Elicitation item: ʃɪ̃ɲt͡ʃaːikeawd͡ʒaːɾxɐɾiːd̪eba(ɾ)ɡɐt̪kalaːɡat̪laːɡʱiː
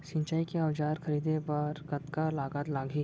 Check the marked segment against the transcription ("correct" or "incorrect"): correct